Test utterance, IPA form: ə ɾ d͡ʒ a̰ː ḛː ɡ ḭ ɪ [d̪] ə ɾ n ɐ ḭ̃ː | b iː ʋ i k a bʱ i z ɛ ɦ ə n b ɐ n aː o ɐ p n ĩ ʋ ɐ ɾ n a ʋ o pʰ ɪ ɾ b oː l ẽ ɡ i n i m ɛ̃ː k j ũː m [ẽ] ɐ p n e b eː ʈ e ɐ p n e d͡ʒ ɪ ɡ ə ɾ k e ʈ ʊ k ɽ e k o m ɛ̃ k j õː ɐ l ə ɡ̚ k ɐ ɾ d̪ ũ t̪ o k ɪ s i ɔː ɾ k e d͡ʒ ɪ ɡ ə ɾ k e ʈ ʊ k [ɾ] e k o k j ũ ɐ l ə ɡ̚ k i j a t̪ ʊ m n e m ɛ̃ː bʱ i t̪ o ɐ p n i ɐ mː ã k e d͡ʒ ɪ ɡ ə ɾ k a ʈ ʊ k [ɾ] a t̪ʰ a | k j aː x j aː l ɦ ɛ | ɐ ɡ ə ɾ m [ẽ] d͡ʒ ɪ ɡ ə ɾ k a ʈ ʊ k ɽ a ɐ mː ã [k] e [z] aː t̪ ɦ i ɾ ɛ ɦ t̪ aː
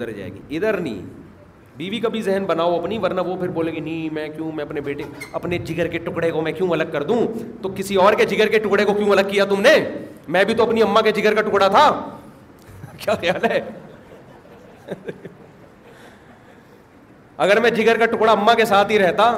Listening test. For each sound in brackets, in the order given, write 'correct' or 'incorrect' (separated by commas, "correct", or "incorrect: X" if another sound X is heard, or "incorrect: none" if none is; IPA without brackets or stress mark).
correct, incorrect: ɛ̃, incorrect: ɽ, incorrect: ɽ, incorrect: ɛ̃, correct, incorrect: s